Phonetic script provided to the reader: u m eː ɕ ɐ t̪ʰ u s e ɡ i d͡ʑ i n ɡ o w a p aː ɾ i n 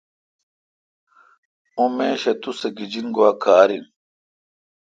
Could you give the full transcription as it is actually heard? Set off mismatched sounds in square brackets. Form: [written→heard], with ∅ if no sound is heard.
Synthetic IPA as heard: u m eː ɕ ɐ [t̪ʰ→t̪] u s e ɡ i d͡ʑ i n ɡ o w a [p→k] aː ɾ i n